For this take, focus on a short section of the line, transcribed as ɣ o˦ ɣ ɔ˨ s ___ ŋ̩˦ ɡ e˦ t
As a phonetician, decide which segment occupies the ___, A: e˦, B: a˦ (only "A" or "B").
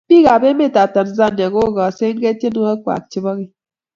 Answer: A